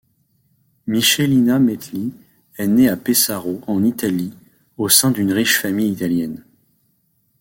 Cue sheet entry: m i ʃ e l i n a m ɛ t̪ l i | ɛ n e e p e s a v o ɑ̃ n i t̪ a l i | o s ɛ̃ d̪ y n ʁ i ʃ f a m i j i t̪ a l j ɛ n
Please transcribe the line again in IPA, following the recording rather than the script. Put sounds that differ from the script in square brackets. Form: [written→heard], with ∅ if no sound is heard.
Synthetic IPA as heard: m i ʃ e l i n a m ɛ t̪ l i | ɛ n e [e→a] p e s a [v→ʁ] o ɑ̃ n i t̪ a l i | o s ɛ̃ d̪ y n ʁ i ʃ f a m i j i t̪ a l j ɛ n